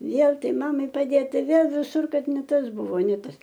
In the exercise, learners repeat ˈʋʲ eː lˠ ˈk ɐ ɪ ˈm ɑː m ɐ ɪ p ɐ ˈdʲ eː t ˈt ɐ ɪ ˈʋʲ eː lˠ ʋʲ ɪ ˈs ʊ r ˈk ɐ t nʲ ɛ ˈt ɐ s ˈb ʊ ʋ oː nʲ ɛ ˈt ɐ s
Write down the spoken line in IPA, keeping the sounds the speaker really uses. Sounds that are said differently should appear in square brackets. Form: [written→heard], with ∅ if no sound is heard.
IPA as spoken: ˈʋʲ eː lˠ [ˈk→ˈt] ɐ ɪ ˈm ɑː m ɐ ɪ p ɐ ˈdʲ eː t ˈt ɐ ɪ ˈʋʲ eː lˠ ʋʲ ɪ ˈs ʊ r ˈk ɐ t nʲ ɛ ˈt ɐ s ˈb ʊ ʋ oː nʲ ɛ ˈt ɐ s